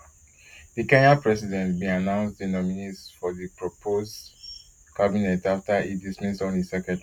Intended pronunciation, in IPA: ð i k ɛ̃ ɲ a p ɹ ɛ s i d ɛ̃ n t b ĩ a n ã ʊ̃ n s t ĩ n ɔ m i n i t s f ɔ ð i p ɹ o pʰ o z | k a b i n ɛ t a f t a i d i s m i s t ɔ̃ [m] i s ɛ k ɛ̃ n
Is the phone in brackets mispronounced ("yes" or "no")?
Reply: yes